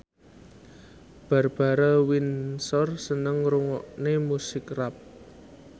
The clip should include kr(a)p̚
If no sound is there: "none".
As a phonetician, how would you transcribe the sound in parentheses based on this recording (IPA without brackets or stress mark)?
a